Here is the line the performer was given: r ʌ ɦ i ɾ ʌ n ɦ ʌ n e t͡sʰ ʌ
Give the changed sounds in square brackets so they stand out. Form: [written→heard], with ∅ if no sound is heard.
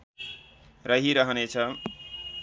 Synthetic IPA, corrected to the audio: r ʌ ɦ i ɾ ʌ [n→∅] ɦ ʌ n e t͡sʰ ʌ